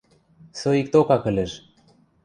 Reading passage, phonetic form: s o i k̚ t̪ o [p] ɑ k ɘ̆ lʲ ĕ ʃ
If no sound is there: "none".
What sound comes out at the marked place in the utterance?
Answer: k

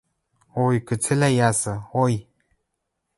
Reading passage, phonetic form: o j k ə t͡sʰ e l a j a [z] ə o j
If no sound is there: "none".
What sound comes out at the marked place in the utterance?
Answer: s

